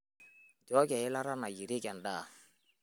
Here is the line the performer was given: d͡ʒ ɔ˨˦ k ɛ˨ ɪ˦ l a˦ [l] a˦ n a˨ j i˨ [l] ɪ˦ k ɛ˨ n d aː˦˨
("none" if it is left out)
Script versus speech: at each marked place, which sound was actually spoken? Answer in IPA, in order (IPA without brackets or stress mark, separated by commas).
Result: ɾ, ɾ